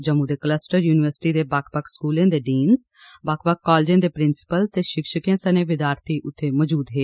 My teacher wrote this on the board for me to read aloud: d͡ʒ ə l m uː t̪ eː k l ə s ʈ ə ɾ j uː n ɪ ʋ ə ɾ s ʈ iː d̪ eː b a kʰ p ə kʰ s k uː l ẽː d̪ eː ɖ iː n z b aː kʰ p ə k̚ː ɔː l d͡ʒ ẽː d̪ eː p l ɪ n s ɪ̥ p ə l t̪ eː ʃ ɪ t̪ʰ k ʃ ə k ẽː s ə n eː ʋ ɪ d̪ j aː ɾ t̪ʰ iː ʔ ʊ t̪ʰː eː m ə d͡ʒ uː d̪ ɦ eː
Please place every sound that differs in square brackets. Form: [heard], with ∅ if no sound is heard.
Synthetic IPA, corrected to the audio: d͡ʒ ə [∅] m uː [d̪] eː k l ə s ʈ ə ɾ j uː n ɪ ʋ ə ɾ s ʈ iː d̪ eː b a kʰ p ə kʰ s k uː l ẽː d̪ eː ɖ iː n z b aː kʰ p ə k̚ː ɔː l d͡ʒ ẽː d̪ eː p [ɾ] ɪ n s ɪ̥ p ə l t̪ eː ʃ ɪ [∅] k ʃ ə k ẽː s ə n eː ʋ ɪ d̪ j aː ɾ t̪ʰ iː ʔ ʊ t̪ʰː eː m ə d͡ʒ uː d̪ ɦ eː